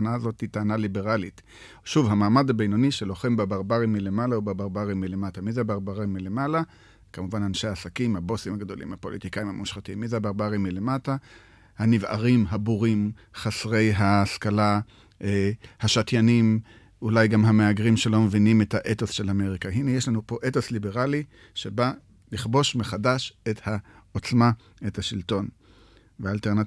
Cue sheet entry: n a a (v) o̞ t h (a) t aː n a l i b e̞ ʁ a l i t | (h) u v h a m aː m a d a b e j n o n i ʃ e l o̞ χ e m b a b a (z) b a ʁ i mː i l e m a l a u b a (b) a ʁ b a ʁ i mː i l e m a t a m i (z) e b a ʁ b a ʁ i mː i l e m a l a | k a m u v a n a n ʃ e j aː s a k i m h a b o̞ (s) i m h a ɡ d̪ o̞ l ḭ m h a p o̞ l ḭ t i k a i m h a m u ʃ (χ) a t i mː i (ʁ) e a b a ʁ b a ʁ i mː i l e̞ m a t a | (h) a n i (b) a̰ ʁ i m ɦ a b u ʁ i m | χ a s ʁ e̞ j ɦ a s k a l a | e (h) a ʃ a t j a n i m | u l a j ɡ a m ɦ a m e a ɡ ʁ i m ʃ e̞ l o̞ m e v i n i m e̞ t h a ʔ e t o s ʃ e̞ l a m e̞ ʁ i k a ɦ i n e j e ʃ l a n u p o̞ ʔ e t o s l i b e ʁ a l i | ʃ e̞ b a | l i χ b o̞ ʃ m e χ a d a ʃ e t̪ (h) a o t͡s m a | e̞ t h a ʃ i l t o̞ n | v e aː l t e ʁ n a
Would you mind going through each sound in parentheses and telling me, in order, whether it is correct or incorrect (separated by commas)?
incorrect, incorrect, incorrect, incorrect, correct, correct, correct, correct, incorrect, correct, incorrect, correct, correct